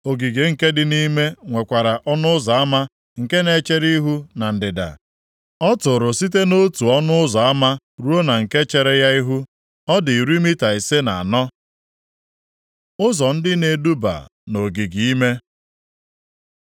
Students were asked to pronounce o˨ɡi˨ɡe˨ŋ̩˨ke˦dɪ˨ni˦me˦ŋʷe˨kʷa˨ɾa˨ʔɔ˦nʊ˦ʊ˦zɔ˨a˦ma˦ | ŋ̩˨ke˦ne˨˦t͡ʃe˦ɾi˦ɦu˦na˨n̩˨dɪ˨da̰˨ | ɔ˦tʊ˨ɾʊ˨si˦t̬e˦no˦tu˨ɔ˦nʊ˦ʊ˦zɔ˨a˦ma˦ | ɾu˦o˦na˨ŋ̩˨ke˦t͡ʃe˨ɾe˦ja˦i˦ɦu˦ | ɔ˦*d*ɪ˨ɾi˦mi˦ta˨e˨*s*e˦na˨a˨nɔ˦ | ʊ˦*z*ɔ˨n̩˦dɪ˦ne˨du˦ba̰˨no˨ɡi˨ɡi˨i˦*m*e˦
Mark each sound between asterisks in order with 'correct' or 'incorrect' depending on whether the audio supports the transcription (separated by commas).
correct, correct, correct, correct